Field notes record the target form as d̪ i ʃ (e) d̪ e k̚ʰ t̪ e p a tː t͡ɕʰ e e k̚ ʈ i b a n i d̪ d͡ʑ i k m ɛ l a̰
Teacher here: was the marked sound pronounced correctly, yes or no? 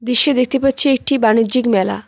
yes